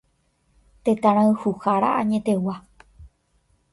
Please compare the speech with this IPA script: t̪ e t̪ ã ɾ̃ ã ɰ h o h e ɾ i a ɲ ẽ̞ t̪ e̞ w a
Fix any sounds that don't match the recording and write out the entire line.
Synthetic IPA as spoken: t̪ e t̪ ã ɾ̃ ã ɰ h u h a ɾ a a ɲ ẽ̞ t̪ e̞ w a